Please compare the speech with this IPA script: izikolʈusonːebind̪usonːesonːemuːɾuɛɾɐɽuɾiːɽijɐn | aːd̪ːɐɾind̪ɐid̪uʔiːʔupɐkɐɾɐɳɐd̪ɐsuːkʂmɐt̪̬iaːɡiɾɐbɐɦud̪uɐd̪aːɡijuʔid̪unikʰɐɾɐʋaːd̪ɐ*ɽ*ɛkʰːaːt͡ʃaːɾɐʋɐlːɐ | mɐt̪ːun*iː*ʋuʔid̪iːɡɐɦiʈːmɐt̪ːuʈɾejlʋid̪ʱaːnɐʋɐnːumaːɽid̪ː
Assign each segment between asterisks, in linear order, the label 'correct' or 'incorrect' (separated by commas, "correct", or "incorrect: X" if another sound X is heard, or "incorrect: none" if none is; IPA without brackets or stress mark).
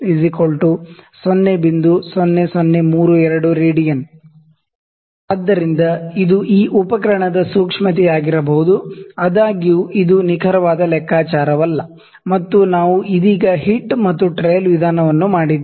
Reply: incorrect: l, incorrect: aː